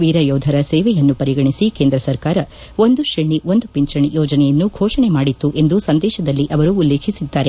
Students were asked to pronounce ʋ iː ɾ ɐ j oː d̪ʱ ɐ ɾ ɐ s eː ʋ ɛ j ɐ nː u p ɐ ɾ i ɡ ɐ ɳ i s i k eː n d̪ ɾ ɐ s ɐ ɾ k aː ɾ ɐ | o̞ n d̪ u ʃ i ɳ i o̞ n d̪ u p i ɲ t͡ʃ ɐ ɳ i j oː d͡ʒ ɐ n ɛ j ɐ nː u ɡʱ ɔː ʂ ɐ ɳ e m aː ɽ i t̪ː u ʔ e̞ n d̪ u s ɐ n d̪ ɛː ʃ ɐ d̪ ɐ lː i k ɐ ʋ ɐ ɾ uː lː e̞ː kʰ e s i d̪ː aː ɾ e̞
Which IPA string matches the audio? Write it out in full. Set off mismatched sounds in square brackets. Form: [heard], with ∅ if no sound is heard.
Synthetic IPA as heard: ʋ iː ɾ ɐ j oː d̪ʱ ɐ ɾ ɐ s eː ʋ ɛ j ɐ nː u p ɐ ɾ i ɡ ɐ ɳ i s i k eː n d̪ ɾ ɐ s ɐ ɾ k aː ɾ ɐ | o̞ n d̪ u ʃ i ɳ i o̞ n d̪ u p i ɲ t͡ʃ ɐ ɳ i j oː d͡ʒ ɐ n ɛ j ɐ nː u ɡʱ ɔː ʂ ɐ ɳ e m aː ɽ i t̪ː u ʔ e̞ n d̪ u s ɐ n d̪ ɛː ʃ ɐ d̪ ɐ lː i [ʔ] ɐ ʋ ɐ ɾ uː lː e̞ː kʰ [i] s i d̪ː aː ɾ e̞